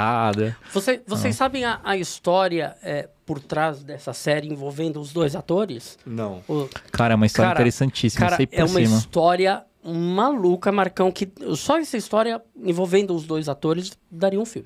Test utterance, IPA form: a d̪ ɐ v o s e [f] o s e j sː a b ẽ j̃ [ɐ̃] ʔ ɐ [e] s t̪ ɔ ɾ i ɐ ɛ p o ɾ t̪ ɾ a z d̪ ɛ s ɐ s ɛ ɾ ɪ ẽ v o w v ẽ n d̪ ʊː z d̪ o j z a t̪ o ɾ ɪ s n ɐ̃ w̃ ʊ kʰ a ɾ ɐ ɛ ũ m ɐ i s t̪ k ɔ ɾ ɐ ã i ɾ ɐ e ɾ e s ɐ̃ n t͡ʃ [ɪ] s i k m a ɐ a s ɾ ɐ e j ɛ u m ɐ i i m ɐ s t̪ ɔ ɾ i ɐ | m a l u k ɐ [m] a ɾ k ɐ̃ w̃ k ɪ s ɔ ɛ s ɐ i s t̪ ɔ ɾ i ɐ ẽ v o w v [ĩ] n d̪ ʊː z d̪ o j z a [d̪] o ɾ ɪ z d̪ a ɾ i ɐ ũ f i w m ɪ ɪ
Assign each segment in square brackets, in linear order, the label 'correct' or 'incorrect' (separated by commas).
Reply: incorrect, incorrect, incorrect, incorrect, correct, incorrect, incorrect